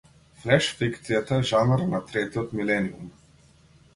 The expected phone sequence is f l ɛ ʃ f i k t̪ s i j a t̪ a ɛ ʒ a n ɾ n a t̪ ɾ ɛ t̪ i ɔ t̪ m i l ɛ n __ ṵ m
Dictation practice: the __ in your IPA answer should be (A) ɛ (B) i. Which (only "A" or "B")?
B